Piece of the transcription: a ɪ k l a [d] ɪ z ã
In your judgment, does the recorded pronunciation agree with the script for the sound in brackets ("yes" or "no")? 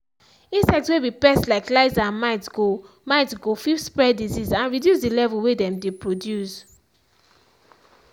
no